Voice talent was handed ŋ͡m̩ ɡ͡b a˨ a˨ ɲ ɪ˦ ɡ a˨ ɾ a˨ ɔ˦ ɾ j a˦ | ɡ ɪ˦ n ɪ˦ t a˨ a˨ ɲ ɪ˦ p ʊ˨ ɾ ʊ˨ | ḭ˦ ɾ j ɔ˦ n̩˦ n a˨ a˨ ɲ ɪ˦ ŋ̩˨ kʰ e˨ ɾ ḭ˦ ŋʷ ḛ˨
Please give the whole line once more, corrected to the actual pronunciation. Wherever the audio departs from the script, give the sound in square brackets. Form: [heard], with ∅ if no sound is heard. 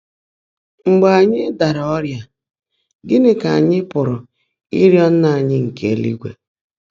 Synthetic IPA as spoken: ŋ͡m̩ ɡ͡b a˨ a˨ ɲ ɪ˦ [d] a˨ ɾ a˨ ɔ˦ ɾ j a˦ | ɡ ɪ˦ n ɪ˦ [k] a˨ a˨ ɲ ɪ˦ p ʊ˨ ɾ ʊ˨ | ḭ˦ ɾ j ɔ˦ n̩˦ n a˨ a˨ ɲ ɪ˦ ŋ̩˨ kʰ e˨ [l] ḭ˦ [ɡʷ] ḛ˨